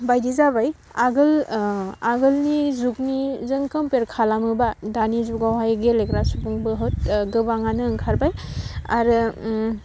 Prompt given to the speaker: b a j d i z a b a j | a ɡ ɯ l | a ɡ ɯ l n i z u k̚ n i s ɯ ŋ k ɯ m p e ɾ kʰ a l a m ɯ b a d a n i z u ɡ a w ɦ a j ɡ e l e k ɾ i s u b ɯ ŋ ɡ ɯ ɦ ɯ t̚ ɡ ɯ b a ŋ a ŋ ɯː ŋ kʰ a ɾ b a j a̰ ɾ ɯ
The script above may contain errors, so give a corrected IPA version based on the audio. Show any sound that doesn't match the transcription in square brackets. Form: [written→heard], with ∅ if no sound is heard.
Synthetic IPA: b a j d i z a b a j | a ɡ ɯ l | a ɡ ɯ l n i z u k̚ n i [s→z] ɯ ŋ k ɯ m p e ɾ kʰ a l a m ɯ b a d a n i z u ɡ a w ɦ a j ɡ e l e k ɾ [i→a] s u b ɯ ŋ [ɡ→b] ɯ ɦ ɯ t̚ ɡ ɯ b a ŋ a [ŋ→n] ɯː ŋ kʰ a ɾ b a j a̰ ɾ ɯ